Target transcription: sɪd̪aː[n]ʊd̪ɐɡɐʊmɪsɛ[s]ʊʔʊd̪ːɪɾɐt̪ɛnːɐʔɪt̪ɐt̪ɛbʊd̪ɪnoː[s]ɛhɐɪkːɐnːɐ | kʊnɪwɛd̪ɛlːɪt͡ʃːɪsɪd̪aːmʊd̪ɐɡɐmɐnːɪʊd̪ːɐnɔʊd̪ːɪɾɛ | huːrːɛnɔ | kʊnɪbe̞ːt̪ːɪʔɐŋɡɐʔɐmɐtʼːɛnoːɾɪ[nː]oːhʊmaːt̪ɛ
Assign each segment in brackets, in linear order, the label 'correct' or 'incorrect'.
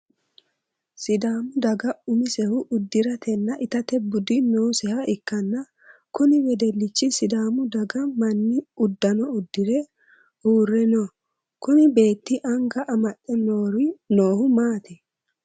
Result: incorrect: m, incorrect: h, correct, incorrect: n

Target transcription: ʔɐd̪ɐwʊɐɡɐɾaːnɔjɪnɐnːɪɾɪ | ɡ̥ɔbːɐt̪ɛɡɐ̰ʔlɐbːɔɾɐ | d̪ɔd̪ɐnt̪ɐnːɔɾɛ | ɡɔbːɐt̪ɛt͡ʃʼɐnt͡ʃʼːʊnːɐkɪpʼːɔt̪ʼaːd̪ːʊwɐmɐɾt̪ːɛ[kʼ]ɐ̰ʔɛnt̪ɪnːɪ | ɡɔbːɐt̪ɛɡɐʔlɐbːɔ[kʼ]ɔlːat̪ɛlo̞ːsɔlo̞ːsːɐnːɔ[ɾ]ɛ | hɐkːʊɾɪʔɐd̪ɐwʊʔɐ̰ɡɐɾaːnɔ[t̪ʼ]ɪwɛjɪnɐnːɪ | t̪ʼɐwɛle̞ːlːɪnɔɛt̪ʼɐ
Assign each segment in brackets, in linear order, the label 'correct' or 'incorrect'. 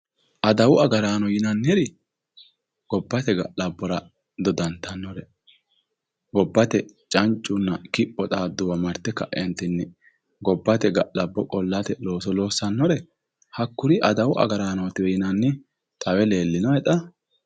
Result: incorrect: k, correct, correct, incorrect: t̪

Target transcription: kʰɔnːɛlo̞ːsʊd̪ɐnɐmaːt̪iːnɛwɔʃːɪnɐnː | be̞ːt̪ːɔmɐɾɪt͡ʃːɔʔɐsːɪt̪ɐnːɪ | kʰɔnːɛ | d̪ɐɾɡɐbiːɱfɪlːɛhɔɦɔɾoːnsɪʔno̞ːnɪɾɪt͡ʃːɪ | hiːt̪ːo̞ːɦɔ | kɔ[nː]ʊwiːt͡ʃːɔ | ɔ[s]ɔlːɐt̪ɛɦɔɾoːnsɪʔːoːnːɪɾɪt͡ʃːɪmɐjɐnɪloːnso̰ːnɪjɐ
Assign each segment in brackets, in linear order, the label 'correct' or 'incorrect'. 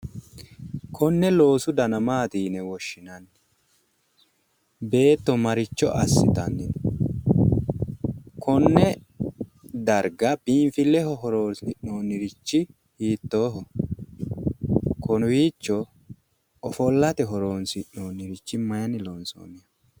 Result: incorrect: n, incorrect: f

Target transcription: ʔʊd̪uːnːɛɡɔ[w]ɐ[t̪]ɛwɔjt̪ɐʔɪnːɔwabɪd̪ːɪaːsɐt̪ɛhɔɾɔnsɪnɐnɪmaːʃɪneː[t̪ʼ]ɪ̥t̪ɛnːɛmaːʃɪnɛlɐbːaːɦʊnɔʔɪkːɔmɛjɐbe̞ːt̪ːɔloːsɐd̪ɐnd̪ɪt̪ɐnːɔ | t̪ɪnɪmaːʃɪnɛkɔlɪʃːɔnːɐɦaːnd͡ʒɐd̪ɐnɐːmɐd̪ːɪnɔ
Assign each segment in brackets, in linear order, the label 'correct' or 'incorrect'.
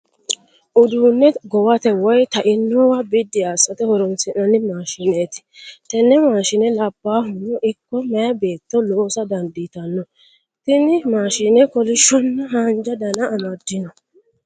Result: correct, correct, incorrect: t̪

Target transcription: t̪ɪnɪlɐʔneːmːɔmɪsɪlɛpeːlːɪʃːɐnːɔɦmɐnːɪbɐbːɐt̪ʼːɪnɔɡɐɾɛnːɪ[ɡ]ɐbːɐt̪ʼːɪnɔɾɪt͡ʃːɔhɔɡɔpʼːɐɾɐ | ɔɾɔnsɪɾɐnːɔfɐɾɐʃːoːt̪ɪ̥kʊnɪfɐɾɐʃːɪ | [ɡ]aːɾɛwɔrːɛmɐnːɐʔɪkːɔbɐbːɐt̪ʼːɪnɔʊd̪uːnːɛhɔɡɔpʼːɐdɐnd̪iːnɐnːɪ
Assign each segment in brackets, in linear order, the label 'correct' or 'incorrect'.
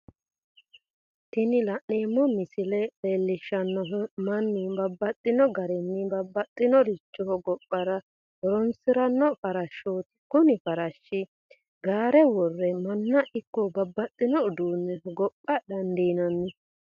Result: incorrect: b, correct

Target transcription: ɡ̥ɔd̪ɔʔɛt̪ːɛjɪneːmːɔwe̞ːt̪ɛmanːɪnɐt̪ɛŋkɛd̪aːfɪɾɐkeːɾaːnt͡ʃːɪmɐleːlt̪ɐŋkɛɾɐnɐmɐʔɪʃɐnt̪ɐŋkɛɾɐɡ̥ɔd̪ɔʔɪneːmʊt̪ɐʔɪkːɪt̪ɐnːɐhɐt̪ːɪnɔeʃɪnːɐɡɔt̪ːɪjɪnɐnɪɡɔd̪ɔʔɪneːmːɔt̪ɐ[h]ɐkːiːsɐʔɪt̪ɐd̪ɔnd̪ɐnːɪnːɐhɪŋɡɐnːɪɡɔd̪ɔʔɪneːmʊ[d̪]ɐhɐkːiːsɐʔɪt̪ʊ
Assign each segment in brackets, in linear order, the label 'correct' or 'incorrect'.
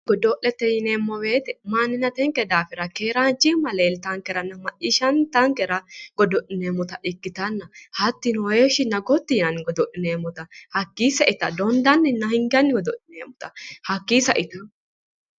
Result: correct, incorrect: t̪

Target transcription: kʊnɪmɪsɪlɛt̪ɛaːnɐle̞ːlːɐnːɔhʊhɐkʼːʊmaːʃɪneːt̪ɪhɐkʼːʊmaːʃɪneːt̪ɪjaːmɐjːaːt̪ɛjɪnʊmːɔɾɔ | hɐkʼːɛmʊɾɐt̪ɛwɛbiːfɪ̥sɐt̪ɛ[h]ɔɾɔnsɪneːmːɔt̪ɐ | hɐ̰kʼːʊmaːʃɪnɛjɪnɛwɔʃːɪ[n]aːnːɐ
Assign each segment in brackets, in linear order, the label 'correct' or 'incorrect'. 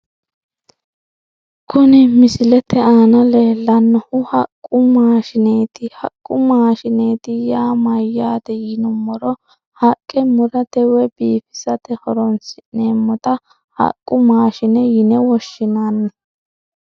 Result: correct, correct

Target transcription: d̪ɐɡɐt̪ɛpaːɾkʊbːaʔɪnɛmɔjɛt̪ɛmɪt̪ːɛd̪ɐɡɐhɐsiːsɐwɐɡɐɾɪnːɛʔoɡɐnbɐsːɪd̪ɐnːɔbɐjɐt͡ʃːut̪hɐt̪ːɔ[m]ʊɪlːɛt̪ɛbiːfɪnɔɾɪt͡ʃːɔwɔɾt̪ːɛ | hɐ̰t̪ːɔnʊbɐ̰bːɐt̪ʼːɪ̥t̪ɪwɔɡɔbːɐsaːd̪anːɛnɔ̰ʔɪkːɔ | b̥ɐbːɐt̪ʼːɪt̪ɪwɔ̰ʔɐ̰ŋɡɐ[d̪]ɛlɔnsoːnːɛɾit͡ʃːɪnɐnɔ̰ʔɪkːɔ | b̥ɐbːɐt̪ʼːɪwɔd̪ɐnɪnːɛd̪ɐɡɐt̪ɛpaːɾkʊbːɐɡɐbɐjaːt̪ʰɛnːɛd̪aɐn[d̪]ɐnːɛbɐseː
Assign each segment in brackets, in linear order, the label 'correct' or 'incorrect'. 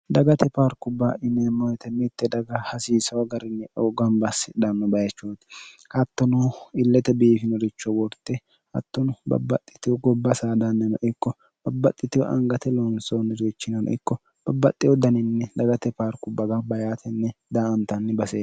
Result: incorrect: n, incorrect: t̪, incorrect: t̪

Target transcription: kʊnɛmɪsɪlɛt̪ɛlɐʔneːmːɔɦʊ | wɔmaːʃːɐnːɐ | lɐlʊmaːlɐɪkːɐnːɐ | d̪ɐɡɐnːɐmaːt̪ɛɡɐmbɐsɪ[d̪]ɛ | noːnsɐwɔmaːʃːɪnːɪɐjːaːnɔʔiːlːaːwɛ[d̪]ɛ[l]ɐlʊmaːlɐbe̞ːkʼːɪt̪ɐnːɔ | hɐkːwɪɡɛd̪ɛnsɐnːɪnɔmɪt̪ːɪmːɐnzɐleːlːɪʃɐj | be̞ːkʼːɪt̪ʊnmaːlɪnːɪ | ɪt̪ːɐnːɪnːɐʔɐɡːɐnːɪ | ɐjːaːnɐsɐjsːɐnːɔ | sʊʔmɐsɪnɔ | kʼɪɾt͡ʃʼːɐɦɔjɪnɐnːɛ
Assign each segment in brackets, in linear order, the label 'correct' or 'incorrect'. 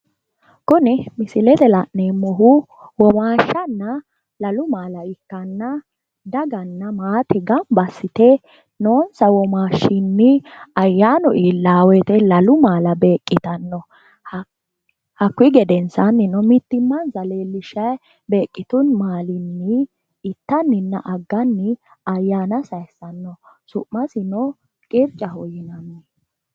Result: incorrect: t̪, incorrect: t̪, correct

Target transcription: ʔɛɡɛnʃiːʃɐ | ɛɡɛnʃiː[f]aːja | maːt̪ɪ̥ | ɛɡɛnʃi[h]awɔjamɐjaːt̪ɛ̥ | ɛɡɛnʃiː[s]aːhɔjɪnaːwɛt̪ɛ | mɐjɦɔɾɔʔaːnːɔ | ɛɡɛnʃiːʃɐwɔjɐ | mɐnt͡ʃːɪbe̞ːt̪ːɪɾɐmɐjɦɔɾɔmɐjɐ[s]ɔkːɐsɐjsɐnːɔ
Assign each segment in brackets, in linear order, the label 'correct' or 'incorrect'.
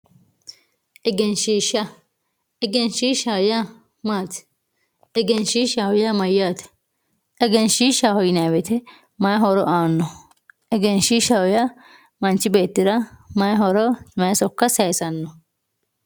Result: incorrect: ʃ, incorrect: ʃ, incorrect: ʃ, correct

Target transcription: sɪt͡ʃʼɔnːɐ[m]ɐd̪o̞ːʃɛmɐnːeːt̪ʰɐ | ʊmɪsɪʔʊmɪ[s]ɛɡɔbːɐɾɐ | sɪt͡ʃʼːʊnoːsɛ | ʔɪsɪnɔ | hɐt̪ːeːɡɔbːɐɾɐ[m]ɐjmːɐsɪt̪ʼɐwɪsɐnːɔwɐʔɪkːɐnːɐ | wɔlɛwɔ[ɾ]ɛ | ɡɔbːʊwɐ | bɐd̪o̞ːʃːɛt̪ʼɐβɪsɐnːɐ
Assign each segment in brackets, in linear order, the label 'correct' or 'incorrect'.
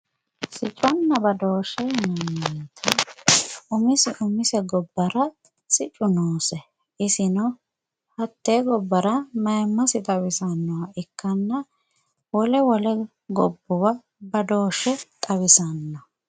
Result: incorrect: b, correct, correct, incorrect: l

